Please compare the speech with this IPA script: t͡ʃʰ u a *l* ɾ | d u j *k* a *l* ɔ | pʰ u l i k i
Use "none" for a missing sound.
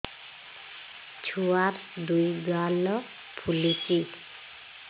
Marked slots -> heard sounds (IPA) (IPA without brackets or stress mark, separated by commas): none, ɡ, l